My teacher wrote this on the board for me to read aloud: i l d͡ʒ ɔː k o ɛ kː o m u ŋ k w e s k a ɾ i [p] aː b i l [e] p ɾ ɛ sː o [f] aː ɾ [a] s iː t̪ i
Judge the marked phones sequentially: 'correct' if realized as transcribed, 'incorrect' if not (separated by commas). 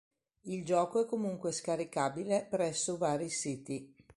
incorrect, correct, incorrect, incorrect